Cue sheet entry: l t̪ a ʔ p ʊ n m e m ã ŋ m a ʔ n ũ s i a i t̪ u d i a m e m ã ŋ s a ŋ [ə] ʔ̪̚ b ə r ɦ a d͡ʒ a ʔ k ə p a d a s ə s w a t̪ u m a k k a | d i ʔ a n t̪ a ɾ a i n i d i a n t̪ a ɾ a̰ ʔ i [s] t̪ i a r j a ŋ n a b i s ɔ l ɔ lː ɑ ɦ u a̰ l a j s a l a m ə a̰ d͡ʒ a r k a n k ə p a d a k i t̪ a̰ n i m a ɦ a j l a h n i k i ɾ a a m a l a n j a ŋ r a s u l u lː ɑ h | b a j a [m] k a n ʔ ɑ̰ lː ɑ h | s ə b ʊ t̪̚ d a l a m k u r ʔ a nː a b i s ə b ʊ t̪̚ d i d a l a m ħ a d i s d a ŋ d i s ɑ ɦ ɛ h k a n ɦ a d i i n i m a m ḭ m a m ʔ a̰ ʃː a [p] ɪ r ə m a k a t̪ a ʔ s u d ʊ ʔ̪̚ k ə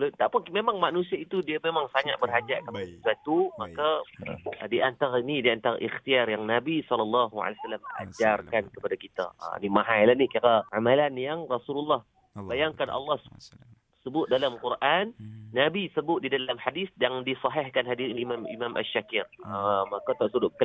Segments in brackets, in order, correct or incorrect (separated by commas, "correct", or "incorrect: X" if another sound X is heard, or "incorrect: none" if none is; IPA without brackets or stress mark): incorrect: a, incorrect: x, incorrect: ŋ, incorrect: k